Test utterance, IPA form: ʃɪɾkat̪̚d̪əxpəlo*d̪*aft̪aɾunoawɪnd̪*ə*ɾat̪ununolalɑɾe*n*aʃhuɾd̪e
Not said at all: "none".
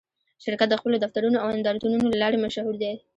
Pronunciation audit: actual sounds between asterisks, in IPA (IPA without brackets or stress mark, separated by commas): d̪, ɑ, m